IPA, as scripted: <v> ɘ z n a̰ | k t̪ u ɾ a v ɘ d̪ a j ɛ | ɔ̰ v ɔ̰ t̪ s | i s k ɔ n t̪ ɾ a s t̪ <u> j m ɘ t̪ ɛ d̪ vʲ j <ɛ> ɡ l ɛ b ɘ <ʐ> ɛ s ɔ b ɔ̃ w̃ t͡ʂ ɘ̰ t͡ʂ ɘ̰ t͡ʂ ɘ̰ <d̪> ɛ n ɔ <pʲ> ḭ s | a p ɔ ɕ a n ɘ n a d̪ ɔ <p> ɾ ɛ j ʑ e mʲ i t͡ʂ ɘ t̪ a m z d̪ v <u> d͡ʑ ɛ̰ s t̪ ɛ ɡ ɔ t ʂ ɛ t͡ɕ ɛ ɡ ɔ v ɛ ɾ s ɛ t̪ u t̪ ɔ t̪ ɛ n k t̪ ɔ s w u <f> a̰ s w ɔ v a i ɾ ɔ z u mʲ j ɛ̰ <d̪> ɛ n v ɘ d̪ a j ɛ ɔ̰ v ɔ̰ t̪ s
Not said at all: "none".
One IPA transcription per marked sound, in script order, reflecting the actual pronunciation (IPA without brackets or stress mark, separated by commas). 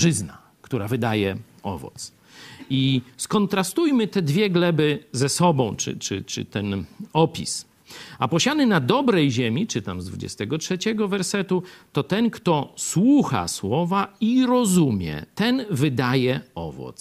ʐ, u, ɛ, z, t̪, pʲ, b, u, x, t̪